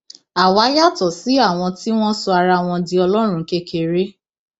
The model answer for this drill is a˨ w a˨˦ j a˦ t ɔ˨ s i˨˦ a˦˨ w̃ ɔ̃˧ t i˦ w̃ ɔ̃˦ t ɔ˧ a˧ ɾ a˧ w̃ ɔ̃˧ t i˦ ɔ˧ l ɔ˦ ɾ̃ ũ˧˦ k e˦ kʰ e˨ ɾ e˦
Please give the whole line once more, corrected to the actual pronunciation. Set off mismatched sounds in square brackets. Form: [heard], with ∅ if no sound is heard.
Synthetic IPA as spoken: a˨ w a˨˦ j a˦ t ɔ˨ s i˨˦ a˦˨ w̃ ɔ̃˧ t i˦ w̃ ɔ̃˦ [s] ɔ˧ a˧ ɾ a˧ w̃ ɔ̃˧ [d] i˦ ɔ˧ l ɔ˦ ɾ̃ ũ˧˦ k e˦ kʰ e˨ ɾ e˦